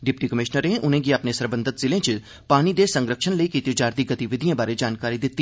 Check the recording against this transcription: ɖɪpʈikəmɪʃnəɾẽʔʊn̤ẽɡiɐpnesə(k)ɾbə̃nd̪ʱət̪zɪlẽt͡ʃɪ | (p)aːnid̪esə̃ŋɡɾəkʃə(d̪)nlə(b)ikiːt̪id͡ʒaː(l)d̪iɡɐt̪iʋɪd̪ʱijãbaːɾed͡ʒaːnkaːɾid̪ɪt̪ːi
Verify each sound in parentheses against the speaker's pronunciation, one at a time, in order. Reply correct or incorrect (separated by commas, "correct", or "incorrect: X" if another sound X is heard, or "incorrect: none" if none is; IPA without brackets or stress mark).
incorrect: none, correct, incorrect: none, incorrect: none, incorrect: ɾ